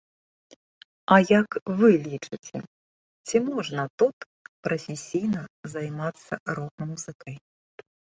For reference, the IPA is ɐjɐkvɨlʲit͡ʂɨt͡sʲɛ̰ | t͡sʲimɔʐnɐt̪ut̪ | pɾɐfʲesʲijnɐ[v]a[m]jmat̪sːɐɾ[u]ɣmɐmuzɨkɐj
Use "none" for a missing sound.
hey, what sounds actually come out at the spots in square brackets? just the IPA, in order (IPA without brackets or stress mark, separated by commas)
z, none, ɔ